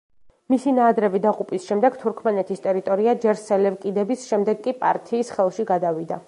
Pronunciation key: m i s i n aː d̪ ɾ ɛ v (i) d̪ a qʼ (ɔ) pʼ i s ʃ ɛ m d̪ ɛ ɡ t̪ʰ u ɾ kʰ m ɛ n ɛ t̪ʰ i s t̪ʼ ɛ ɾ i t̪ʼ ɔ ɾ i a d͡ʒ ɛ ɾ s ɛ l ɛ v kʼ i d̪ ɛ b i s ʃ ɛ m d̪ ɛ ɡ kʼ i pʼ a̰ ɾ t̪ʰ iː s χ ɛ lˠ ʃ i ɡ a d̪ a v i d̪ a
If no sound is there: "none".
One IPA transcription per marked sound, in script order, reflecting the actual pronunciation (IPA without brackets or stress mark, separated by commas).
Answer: i, u